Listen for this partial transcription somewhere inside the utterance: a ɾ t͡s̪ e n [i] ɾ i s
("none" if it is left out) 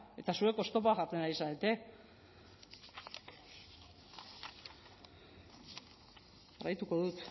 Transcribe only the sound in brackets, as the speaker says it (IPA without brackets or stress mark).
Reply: a